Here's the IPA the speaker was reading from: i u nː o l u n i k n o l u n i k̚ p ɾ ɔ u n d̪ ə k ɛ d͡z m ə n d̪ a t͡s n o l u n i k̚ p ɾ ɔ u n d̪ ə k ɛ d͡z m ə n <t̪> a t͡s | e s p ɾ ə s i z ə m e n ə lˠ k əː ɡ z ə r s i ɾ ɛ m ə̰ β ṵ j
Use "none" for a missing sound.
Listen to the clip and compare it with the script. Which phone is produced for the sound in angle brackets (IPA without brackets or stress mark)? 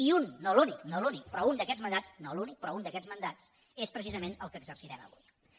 d̪